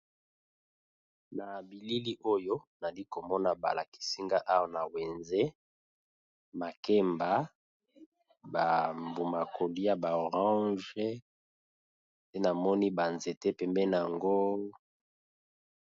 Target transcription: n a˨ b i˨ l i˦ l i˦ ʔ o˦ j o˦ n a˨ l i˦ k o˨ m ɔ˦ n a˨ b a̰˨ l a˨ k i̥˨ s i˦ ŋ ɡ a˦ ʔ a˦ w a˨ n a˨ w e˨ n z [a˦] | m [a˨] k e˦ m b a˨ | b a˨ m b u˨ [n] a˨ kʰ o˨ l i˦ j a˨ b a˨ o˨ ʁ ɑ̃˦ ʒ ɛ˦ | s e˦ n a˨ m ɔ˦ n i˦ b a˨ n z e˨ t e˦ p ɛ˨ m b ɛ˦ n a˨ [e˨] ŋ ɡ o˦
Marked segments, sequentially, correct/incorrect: incorrect: e˦, correct, incorrect: m, incorrect: a˨

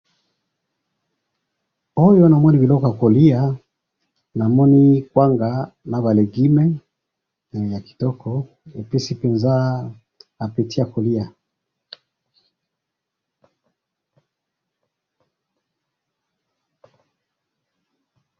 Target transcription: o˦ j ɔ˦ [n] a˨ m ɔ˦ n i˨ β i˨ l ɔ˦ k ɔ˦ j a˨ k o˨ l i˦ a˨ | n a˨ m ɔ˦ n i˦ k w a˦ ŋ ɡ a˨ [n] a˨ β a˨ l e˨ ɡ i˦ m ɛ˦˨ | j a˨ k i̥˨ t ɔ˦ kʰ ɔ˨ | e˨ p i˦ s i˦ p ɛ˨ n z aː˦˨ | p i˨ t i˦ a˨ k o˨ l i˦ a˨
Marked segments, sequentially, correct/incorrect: correct, correct

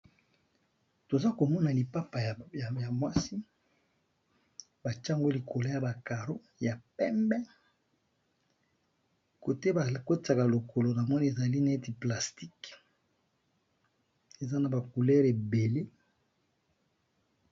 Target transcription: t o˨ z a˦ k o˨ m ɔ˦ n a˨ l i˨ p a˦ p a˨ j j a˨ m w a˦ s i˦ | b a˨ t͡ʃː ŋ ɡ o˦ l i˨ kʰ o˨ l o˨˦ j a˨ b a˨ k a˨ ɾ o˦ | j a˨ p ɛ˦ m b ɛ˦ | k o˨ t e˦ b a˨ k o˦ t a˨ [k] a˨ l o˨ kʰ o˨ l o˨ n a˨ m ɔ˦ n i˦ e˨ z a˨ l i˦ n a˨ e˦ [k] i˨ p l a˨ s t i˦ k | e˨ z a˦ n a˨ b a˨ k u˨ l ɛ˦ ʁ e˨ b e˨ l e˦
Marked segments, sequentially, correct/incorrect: correct, incorrect: t

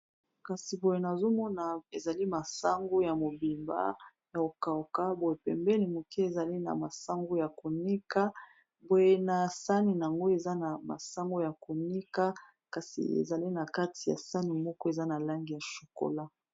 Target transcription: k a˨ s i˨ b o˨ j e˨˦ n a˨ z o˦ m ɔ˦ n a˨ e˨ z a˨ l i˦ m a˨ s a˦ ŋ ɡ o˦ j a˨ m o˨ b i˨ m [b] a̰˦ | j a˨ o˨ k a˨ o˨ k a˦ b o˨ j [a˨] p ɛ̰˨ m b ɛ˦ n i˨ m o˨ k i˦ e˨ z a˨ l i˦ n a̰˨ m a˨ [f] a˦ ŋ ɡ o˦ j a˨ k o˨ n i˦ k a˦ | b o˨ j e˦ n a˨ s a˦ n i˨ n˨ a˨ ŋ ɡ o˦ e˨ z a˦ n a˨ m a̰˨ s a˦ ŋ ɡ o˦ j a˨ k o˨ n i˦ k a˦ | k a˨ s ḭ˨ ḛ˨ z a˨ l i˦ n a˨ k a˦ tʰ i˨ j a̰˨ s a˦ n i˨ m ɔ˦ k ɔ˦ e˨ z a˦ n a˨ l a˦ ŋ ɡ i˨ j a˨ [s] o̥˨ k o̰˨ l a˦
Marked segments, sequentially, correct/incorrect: correct, incorrect: e˨, incorrect: s, incorrect: ʃ

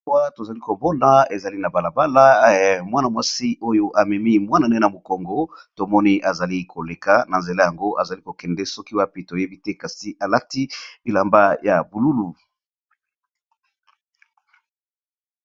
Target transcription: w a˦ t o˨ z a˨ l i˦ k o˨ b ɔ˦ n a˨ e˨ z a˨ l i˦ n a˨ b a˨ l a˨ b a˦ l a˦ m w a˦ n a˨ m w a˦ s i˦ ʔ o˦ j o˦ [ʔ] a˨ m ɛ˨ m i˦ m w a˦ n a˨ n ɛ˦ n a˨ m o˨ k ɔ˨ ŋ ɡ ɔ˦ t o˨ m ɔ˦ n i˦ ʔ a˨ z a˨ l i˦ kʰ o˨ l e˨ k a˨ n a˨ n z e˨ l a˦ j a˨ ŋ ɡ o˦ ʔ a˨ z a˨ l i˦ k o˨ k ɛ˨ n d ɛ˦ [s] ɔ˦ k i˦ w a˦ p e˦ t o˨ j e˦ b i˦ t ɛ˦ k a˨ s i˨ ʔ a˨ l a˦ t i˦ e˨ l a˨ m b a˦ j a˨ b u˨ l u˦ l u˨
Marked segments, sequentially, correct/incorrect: correct, correct

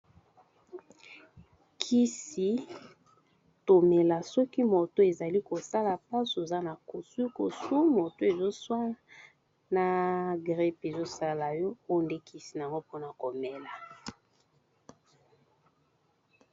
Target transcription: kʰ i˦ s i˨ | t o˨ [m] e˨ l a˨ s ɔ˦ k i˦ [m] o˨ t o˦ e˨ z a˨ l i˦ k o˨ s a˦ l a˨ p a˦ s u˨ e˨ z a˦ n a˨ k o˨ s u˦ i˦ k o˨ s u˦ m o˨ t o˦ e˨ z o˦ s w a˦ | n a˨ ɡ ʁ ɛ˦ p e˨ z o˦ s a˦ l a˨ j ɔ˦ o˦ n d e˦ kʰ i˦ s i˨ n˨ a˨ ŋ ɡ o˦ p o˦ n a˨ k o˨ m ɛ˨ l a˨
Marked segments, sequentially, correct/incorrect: correct, correct

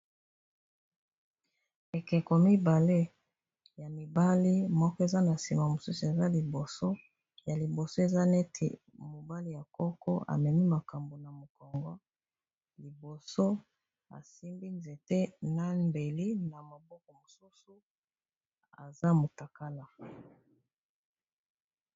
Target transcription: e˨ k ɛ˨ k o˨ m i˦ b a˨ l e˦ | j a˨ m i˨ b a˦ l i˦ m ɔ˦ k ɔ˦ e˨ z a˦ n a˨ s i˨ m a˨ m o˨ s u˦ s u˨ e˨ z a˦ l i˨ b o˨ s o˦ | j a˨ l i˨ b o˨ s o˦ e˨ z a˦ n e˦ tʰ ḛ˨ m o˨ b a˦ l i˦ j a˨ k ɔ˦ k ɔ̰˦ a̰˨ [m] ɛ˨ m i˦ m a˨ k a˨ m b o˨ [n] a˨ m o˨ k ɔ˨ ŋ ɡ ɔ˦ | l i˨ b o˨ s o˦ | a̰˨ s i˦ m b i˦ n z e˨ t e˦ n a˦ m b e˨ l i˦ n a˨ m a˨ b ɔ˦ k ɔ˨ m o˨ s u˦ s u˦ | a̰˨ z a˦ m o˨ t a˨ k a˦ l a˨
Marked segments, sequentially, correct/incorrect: correct, correct

